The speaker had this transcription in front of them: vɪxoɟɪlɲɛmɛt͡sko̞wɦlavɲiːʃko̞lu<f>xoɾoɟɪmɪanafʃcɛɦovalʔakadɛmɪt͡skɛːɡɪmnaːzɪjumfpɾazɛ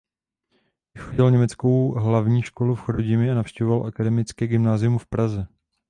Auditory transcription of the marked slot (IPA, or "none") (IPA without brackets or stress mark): f